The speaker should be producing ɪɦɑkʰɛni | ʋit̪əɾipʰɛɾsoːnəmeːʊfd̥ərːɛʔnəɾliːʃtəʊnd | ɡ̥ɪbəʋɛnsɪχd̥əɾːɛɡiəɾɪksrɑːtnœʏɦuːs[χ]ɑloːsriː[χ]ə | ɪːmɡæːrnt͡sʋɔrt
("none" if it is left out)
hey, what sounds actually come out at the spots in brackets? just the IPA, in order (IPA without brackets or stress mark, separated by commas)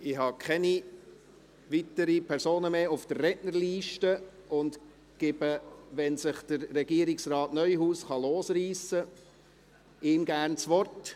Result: χ, s